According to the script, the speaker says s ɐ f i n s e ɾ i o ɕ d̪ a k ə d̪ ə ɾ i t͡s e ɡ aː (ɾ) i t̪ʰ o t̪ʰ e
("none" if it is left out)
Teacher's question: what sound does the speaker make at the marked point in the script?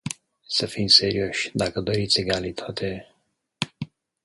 l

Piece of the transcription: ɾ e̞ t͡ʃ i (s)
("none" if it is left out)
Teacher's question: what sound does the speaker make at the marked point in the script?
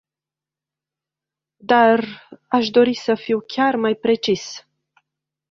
s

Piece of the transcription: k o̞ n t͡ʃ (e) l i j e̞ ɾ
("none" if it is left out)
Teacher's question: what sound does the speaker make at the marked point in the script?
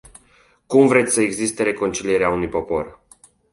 i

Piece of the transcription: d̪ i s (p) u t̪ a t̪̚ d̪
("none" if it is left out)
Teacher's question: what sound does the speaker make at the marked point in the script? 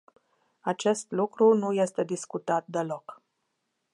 k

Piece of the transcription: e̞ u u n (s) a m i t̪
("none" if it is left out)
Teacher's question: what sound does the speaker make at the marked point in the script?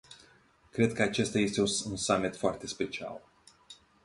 s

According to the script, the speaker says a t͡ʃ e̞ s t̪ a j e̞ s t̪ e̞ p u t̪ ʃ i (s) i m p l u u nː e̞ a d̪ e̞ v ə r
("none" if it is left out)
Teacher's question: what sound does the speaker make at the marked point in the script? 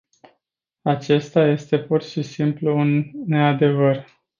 s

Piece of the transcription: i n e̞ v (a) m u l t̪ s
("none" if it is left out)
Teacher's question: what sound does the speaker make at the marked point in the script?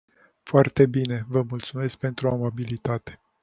ə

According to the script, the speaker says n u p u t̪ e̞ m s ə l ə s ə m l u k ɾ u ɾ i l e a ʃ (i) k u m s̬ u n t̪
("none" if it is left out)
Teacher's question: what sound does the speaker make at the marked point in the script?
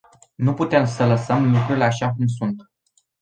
a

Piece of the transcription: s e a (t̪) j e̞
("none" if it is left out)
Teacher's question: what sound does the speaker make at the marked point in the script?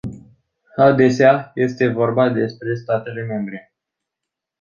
none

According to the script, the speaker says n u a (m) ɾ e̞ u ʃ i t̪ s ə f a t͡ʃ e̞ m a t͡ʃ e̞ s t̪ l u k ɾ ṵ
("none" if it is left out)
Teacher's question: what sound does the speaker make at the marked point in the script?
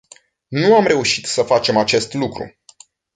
m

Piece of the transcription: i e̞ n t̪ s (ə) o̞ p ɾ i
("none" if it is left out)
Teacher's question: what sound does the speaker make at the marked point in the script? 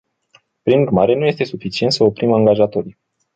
ə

